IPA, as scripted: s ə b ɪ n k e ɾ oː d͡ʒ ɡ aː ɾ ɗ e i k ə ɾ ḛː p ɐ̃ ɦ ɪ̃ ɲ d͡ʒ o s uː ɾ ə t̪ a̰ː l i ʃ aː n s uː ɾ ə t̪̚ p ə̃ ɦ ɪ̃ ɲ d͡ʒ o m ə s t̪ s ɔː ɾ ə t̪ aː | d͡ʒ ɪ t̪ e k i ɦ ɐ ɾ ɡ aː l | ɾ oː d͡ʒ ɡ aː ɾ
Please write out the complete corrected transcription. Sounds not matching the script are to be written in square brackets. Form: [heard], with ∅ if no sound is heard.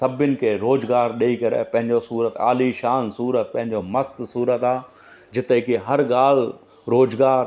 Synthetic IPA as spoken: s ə b ɪ n k e ɾ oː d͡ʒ ɡ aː ɾ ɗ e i k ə ɾ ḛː p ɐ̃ ɦ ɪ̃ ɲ d͡ʒ o s uː ɾ ə t̪ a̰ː l i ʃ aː n s uː ɾ ə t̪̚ p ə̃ ɦ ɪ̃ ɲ d͡ʒ o m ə s t̪ s [uː] ɾ ə t̪ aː | d͡ʒ ɪ t̪ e k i ɦ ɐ ɾ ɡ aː l | ɾ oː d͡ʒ ɡ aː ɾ